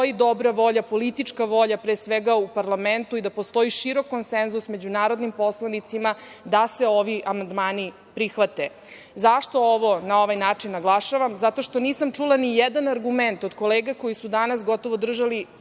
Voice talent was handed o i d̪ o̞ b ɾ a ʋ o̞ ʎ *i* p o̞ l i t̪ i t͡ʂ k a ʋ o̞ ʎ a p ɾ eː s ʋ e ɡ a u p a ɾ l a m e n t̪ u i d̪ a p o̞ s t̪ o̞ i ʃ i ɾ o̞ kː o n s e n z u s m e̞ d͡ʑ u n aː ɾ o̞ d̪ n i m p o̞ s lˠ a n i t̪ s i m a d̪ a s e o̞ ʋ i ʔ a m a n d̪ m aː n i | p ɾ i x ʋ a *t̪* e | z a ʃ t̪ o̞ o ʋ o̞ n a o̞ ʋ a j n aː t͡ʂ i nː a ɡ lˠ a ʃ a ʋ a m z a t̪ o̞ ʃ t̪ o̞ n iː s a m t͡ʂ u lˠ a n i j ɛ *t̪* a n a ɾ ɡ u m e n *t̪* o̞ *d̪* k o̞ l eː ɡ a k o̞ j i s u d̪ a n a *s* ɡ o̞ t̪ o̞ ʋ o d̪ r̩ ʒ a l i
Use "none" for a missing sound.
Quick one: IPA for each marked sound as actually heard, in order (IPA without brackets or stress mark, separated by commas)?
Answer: a, t̪, d̪, t̪, d̪, s